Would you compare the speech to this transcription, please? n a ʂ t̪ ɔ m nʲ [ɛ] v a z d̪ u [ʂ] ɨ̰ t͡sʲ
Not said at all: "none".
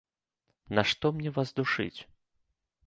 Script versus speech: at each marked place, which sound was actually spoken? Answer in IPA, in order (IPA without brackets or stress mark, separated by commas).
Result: ɛ, ʂ